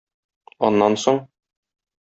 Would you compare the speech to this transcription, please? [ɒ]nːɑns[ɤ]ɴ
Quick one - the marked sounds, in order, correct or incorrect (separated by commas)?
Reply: correct, incorrect